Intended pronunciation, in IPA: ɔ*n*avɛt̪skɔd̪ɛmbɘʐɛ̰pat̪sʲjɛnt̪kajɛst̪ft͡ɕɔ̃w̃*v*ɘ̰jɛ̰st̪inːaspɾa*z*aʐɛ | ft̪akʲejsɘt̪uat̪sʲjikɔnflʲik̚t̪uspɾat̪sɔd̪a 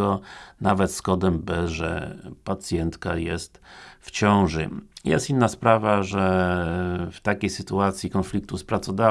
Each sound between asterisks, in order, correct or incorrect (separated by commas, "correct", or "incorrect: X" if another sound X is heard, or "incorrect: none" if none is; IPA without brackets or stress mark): correct, incorrect: ʐ, incorrect: v